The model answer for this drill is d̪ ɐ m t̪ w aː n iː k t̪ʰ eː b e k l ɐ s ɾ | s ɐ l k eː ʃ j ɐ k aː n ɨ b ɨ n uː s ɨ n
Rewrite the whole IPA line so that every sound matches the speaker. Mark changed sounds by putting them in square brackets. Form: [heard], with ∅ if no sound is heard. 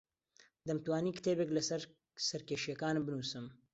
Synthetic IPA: d̪ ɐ m t̪ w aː n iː k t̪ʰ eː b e k l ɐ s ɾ | s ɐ [ɾ] k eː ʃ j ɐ k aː n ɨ b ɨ n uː s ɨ [m]